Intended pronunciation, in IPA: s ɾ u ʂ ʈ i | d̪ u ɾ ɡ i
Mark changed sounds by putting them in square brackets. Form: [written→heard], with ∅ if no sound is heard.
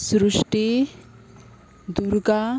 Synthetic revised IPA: s ɾ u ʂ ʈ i | d̪ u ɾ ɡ [i→a]